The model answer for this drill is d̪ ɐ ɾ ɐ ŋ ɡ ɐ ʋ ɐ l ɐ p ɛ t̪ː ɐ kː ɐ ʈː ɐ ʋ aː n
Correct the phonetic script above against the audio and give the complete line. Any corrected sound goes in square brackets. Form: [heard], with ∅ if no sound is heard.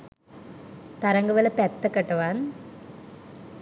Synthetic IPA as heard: [t̪] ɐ ɾ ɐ ŋ ɡ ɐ ʋ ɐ l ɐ p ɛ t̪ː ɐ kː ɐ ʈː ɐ ʋ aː n